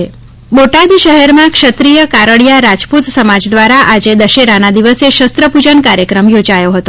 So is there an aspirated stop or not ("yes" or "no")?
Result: no